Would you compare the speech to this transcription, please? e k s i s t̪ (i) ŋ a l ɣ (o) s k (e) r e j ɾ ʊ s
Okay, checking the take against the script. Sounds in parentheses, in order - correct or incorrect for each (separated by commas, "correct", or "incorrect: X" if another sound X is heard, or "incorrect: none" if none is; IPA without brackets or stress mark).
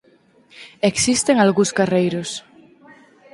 incorrect: e, incorrect: u, incorrect: a